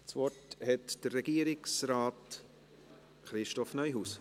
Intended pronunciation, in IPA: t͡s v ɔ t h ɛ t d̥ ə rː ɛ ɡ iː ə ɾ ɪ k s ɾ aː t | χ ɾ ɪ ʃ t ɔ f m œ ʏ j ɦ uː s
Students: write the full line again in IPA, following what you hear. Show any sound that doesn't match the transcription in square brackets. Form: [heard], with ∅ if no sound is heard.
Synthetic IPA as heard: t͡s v ɔ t h ɛ t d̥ ə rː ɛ ɡ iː ə ɾ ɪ k s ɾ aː t | χ ɾ ɪ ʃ t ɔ f [n] œ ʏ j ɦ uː s